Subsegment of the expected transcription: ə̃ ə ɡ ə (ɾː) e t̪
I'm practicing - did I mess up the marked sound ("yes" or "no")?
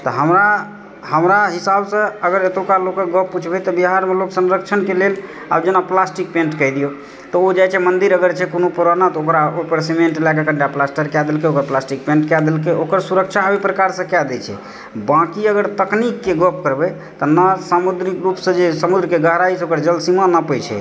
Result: yes